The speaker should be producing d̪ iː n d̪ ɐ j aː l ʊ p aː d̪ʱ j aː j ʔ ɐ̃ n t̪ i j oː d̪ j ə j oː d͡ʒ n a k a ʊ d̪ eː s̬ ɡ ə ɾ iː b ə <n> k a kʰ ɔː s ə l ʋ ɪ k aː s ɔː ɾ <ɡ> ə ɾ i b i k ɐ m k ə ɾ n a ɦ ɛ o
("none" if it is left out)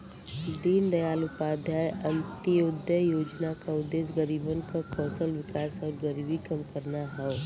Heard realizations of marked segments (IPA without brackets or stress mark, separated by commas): n, ɡ